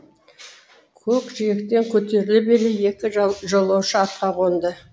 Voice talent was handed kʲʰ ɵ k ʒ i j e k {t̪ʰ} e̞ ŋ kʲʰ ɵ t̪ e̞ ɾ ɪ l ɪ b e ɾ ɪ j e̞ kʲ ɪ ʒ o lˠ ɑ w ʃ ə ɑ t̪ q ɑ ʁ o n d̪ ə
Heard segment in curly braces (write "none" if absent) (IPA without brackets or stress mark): t̪